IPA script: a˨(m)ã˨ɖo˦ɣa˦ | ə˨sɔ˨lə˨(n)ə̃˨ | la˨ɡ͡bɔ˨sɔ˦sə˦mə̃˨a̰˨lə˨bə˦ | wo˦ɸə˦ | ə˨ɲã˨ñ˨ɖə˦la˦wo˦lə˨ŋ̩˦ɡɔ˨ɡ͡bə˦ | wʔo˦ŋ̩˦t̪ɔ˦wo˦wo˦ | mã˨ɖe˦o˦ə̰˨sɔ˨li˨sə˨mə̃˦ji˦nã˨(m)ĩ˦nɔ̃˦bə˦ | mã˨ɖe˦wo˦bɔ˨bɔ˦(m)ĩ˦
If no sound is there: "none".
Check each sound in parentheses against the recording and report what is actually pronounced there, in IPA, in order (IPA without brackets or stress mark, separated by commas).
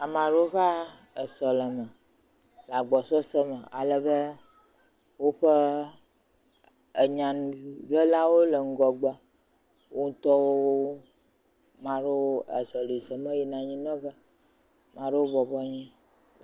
m, m, ɲ, ɲ